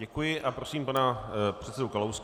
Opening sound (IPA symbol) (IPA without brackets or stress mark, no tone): ɛ